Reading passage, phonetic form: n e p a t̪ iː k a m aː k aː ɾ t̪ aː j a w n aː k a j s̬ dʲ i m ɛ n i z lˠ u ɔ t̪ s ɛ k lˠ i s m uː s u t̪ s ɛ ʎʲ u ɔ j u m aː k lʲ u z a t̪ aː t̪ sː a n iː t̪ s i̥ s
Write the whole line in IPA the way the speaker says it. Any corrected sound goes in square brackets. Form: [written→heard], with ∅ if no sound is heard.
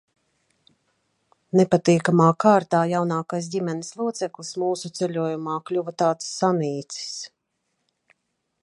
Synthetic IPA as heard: n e p a t̪ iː k a m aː k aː ɾ t̪ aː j a w n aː k a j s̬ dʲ i m ɛ n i [z→s] lˠ u ɔ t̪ s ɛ k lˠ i s m uː s u t̪ s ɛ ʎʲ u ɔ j u m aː k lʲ u [z→v] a t̪ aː t̪ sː a n iː t̪ s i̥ s